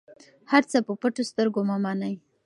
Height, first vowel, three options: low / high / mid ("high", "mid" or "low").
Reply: low